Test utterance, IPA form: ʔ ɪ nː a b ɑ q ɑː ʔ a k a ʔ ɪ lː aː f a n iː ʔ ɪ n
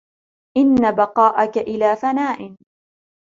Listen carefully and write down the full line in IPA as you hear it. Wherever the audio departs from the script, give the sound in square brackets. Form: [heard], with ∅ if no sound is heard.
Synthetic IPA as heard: ʔ ɪ nː a b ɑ q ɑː ʔ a k a ʔ ɪ [l] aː f a n [aː] ʔ ɪ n

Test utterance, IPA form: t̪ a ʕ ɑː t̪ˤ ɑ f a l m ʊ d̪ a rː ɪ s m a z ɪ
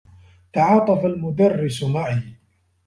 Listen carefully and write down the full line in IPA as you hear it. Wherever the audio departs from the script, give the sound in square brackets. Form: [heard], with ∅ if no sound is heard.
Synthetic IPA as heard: t̪ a ʕ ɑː t̪ˤ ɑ f a l m ʊ d̪ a rː ɪ s m a [ʕ] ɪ

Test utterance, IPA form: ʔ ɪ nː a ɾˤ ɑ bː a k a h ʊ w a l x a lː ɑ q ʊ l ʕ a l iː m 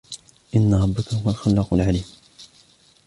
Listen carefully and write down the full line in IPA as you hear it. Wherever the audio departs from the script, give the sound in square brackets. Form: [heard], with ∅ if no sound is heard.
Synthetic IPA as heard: ʔ ɪ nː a ɾˤ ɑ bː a k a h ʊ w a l x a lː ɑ q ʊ l ʕ a l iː m

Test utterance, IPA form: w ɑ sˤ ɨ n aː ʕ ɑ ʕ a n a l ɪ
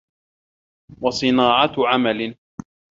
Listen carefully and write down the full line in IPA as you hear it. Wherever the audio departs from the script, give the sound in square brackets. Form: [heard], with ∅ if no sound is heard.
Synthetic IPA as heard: w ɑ sˤ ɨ n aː ʕ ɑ ʕ a [m] a l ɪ

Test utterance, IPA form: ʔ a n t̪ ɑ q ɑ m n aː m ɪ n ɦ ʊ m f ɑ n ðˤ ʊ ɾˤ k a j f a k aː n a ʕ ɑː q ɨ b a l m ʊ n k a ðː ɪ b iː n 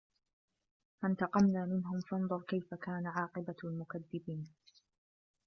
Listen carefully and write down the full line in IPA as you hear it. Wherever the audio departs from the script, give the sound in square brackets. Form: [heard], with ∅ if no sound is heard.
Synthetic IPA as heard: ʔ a n t̪ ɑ q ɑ m n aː m ɪ n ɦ ʊ m f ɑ n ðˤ ʊ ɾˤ k a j f a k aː n a ʕ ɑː q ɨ b a l m ʊ [∅] k a ðː ɪ b iː n

